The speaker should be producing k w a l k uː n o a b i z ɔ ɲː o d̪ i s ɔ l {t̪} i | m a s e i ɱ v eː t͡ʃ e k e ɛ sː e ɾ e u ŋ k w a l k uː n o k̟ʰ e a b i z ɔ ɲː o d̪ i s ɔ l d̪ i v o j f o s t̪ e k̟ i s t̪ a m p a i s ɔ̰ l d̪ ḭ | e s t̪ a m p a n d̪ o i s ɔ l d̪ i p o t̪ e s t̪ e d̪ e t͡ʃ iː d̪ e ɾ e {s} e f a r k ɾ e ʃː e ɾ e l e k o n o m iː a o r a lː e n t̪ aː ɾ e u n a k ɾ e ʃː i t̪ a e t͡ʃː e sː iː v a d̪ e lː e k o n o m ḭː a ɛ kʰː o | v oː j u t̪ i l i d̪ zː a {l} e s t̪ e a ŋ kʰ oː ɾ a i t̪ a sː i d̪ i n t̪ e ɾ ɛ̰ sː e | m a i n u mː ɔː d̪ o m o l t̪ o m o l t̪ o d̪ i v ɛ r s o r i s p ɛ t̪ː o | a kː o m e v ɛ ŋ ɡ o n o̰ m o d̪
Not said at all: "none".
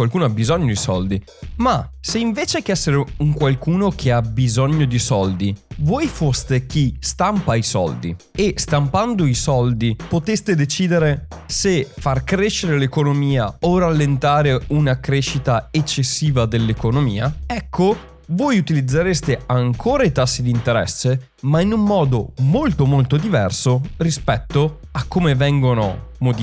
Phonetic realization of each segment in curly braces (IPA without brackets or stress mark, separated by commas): d̪, s, ɾ